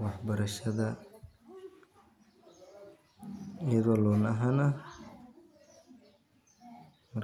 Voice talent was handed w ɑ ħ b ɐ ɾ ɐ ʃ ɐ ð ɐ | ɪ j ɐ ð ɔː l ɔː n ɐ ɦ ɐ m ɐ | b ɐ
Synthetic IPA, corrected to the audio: w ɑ ħ b ɐ ɾ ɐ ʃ ɐ ð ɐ | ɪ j ɐ ð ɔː l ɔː n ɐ ɦ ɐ n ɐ | m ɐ